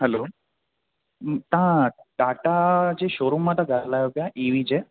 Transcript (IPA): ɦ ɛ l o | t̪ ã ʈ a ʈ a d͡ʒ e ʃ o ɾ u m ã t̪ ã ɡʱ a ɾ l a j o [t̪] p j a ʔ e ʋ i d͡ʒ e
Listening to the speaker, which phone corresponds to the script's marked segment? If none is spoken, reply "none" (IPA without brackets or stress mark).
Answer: none